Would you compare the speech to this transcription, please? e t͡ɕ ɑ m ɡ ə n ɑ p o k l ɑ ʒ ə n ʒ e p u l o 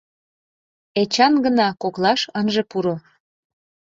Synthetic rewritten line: e t͡ɕ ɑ n ɡ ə n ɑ k o k l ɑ ʃ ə n ʒ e p u ɾ o